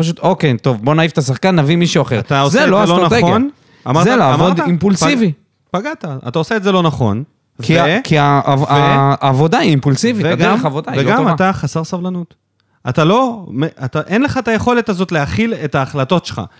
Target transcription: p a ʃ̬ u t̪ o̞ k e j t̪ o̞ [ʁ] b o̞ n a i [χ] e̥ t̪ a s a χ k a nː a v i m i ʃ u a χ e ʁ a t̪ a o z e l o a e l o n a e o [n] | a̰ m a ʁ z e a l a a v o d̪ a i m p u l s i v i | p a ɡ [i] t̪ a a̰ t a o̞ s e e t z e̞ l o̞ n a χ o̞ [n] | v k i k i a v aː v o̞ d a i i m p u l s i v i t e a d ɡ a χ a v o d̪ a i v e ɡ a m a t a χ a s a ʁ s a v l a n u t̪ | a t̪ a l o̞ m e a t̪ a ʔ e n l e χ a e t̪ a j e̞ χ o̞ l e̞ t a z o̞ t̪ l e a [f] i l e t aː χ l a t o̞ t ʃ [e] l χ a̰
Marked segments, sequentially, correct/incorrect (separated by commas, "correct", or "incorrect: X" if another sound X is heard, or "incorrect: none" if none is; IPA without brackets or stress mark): incorrect: v, incorrect: f, correct, incorrect: a, correct, incorrect: χ, correct